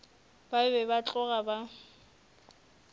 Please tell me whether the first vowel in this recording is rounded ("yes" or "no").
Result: no